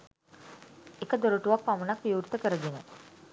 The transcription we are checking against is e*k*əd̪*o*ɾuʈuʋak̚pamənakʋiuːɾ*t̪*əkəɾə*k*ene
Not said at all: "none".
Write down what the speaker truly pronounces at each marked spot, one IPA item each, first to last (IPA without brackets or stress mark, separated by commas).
k, o, t̪, ɡ